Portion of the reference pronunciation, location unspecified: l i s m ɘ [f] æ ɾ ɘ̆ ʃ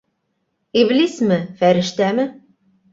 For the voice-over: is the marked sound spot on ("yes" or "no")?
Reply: yes